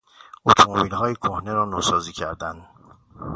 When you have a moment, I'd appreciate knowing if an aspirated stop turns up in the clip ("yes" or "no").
yes